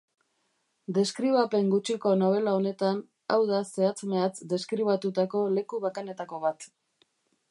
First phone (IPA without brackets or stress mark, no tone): d̪